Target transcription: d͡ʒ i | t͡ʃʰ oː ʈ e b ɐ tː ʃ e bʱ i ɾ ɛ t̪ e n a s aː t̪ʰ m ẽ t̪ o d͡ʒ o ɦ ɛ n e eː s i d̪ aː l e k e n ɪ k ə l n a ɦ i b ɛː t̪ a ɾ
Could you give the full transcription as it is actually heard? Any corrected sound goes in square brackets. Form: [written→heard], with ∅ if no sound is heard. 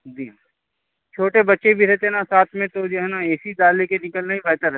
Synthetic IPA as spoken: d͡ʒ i | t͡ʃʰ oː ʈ e b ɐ tː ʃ e bʱ i ɾ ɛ t̪ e n a s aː t̪ʰ m ẽ t̪ o d͡ʒ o ɦ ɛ n [e→a] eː s i d̪ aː l e k e n ɪ k ə l n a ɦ i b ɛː t̪ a ɾ